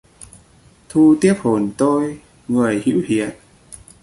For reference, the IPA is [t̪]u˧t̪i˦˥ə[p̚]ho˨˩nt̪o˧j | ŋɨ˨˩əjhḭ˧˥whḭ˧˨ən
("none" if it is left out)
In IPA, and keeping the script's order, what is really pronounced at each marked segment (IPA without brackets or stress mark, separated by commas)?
t̪ʰ, p̚